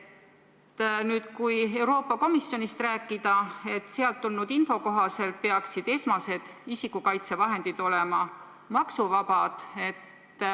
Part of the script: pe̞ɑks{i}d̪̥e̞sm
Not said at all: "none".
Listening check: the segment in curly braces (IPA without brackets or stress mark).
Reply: i